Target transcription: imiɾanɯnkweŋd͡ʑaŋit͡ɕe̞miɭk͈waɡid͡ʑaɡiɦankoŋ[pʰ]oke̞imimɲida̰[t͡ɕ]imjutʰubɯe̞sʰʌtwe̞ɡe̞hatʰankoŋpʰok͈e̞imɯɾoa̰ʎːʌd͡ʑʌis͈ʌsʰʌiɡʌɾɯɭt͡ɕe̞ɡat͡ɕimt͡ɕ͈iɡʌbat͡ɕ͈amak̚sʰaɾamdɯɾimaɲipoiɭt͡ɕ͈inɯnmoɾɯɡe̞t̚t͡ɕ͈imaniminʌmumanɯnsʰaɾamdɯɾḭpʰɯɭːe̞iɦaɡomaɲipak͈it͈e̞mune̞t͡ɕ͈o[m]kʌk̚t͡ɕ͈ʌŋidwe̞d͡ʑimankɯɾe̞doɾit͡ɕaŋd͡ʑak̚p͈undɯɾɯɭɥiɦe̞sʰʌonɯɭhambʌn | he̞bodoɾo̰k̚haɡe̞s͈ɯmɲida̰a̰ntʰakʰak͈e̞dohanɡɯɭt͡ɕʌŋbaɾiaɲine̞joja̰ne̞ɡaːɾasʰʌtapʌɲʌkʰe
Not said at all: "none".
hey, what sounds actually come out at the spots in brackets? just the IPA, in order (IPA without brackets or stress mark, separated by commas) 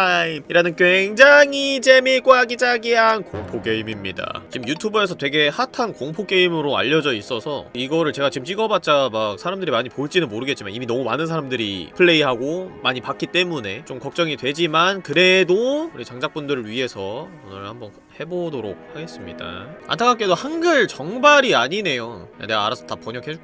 pʰ, t͡ɕ, m